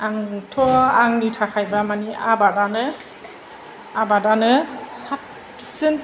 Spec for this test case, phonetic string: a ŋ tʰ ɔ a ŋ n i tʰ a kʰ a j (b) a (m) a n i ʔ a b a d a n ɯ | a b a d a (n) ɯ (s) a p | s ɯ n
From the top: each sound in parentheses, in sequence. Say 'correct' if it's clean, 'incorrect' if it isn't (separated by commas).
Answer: correct, correct, correct, correct